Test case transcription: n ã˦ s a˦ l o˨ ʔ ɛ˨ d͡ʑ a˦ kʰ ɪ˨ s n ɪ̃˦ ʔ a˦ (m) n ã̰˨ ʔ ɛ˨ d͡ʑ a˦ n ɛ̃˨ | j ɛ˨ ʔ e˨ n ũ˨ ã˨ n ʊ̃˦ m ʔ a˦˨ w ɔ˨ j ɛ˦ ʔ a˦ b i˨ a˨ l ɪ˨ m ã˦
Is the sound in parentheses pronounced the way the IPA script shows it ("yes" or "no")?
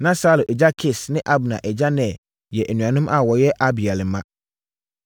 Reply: no